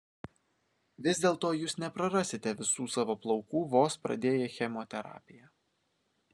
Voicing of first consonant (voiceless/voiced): voiced